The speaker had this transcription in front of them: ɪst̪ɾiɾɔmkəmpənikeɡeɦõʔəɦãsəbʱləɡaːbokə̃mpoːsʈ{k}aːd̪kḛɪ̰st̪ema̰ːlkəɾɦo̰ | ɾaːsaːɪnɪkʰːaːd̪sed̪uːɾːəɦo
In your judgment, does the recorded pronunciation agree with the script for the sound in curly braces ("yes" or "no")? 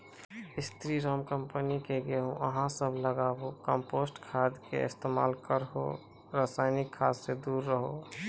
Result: no